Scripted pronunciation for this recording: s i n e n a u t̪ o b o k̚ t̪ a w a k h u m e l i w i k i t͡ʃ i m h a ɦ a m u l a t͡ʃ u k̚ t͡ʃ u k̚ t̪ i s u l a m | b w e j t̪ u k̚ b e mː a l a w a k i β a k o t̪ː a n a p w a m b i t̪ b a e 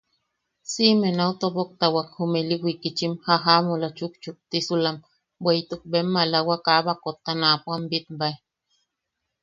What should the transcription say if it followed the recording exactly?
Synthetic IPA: s i m e n a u t̪ o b o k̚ t̪ a w a k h u m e l i w i k i t͡ʃ i m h a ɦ a m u l a t͡ʃ u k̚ t͡ʃ u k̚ t̪ i s u l a m | b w e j t̪ u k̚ b e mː a l a w a k a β a k o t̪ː a n a p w a m b i t̪ b a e